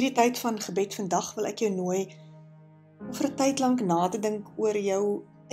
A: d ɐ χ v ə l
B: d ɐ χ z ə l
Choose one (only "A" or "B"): A